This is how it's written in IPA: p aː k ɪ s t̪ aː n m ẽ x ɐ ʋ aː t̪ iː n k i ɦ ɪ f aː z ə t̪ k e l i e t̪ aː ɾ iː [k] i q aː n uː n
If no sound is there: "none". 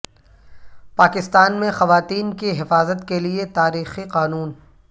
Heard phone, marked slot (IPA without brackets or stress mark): x